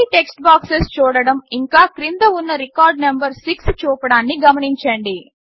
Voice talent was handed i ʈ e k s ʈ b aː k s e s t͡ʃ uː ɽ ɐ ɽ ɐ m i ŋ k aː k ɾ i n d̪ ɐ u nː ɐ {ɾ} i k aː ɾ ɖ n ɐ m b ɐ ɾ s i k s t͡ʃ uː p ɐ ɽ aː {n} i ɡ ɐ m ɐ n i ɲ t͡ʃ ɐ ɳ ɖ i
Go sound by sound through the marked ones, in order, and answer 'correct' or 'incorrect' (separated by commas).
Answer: correct, incorrect